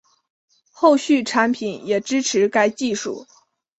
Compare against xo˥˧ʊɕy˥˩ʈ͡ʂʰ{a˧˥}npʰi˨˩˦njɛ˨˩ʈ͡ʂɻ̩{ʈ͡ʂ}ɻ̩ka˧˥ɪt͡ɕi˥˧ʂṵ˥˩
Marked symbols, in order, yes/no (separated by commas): yes, no